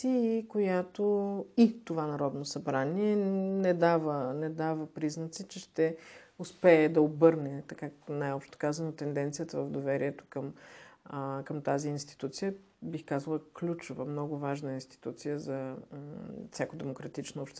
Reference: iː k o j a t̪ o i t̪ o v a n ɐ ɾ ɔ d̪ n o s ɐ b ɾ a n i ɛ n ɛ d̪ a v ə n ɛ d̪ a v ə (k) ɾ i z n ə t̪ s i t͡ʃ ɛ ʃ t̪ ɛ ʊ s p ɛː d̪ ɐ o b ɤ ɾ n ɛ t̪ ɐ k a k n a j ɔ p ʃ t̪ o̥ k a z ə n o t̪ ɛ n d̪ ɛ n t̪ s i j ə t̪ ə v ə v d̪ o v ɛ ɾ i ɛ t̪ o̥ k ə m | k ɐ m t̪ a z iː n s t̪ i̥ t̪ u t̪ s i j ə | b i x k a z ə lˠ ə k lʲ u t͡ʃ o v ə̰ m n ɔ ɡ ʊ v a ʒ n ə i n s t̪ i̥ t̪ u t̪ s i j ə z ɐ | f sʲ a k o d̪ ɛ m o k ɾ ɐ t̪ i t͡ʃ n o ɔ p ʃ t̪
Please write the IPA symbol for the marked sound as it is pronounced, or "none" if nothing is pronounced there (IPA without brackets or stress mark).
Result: p